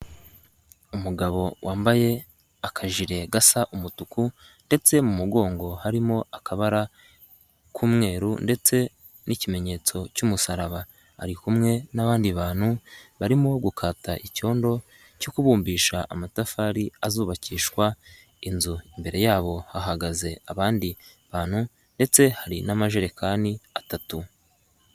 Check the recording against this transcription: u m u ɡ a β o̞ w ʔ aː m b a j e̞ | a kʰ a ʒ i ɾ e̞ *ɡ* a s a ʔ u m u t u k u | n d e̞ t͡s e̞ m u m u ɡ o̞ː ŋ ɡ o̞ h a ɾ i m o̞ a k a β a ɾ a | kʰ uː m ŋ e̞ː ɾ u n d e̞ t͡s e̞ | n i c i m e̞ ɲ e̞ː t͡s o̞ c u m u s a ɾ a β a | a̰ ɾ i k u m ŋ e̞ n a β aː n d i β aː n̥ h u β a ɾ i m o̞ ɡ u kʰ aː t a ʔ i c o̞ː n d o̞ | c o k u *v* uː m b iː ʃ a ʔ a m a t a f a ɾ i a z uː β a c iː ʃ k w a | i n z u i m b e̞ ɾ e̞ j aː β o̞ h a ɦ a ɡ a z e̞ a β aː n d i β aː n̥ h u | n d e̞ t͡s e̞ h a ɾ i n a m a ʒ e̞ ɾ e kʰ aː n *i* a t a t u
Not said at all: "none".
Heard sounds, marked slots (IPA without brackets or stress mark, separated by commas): ɡ, β, i